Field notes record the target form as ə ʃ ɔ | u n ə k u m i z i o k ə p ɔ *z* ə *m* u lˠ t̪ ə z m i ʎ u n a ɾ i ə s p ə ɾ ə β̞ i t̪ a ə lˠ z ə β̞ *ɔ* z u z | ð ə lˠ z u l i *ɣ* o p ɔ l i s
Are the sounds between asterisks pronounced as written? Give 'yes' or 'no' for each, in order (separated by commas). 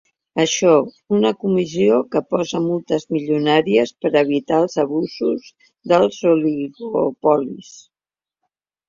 yes, yes, no, yes